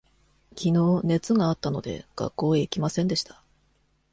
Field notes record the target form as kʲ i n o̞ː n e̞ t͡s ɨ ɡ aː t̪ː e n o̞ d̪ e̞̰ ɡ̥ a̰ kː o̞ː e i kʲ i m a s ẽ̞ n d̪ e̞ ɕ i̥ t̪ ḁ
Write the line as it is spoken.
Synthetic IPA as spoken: kʲ i n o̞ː n e̞ t͡s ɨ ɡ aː t̪ː a n o̞ d̪ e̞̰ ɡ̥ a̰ kː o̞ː e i kʲ i m a s ẽ̞ n d̪ e̞ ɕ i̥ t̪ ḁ